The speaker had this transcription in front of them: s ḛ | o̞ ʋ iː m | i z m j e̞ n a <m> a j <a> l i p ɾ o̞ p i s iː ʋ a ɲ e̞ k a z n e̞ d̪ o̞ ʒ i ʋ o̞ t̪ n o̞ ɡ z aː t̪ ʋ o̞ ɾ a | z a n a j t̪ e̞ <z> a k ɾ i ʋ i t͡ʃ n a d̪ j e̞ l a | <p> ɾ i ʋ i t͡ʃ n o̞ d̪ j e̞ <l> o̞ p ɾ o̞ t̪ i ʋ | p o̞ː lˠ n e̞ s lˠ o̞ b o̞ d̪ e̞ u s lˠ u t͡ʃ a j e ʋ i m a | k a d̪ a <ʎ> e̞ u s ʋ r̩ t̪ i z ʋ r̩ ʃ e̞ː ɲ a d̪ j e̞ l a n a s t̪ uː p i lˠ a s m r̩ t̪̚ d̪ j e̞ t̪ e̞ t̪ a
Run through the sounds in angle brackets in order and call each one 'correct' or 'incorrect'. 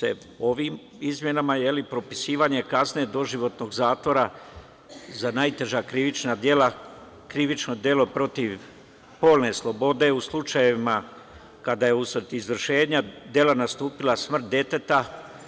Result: correct, incorrect: e, incorrect: ʒ, incorrect: k, correct, incorrect: j

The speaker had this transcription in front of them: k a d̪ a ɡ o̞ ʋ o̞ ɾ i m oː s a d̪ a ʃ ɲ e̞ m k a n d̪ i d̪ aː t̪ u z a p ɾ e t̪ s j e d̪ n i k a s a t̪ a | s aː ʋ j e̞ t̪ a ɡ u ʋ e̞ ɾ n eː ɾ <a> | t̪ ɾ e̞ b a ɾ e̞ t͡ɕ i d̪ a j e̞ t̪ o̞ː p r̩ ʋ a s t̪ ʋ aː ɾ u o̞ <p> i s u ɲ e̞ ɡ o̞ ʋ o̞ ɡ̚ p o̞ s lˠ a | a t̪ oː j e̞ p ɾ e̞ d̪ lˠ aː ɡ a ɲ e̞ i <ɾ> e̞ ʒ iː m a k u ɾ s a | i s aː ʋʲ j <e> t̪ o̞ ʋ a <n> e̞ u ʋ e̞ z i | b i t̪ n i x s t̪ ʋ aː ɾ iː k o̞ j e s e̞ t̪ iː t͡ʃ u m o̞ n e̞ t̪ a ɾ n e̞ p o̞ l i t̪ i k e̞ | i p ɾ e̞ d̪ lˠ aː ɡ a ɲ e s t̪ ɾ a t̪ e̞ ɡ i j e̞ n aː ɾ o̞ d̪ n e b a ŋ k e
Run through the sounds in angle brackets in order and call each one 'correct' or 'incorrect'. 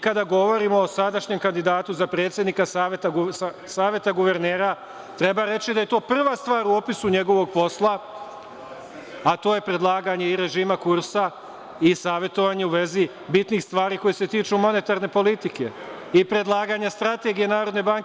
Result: correct, correct, correct, correct, incorrect: ɲ

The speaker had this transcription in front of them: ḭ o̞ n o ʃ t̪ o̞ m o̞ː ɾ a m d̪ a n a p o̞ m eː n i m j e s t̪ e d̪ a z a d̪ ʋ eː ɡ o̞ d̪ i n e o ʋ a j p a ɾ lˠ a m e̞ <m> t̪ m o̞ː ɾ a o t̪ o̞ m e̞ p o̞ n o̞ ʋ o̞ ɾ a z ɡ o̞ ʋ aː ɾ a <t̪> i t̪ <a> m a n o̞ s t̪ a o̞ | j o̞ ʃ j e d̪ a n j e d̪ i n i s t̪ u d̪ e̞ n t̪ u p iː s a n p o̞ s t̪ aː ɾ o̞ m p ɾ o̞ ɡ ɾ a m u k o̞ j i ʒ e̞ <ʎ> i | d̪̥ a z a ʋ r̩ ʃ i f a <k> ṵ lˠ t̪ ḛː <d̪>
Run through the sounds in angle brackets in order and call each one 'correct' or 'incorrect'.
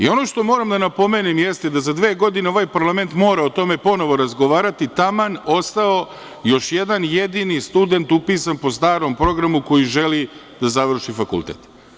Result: incorrect: n, correct, correct, incorrect: l, correct, incorrect: t̪

